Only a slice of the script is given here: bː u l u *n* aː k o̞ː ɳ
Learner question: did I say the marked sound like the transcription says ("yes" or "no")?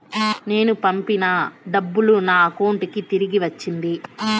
yes